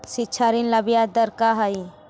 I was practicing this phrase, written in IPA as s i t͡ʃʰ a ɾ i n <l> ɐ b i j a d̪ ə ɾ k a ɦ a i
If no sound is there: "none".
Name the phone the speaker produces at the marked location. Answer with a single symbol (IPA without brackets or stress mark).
l